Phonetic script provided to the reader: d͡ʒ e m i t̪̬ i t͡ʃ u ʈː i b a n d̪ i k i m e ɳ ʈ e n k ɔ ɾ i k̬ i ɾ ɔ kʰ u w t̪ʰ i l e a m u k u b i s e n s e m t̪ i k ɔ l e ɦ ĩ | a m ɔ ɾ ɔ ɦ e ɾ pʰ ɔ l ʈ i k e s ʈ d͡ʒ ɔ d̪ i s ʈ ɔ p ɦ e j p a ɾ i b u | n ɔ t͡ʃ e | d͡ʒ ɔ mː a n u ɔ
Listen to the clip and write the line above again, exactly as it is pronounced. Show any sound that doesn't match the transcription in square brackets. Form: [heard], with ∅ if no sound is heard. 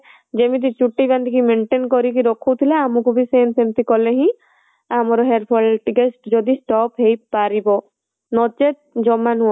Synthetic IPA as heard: d͡ʒ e m i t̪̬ i t͡ʃ u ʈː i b a n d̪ i k i m e ɳ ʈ e n k ɔ ɾ i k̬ i ɾ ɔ kʰ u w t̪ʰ i l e a m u k u b i s e n s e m t̪ i k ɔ l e ɦ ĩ | a m ɔ ɾ ɔ ɦ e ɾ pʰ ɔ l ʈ i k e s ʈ d͡ʒ ɔ d̪ i s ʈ ɔ p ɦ e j p a ɾ i b [ɔ] | n ɔ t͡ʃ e | d͡ʒ ɔ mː a n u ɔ